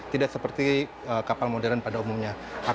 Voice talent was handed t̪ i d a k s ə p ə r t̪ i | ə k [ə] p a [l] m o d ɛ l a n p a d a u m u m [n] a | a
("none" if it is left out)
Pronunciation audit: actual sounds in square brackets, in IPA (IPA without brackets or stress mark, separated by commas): a, l, ɲ